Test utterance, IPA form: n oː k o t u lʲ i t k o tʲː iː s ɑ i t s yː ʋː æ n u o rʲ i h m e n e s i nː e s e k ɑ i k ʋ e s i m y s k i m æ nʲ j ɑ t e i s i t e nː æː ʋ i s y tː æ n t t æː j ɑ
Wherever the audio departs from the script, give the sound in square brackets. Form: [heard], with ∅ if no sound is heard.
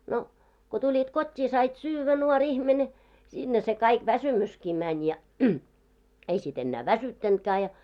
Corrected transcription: n [o] k o t u lʲ i t k o tʲː iː s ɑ i t s yː ʋː æ n u o rʲ i h m e n e s i nː e s e k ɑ i k ʋ [æ] s [y] m y s k i m æ nʲ j ɑ [∅] e i s i t e nː æː ʋ [æ] s y tː æ n t [k] æː j ɑ